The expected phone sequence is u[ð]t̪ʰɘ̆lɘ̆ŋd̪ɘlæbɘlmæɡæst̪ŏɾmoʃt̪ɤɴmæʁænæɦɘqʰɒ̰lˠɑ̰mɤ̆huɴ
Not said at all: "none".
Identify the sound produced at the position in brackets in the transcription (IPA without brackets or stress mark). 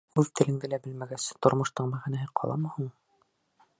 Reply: ð